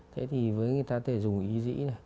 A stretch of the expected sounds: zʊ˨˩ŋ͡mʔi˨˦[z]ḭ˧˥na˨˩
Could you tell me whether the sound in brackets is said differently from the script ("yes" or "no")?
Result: no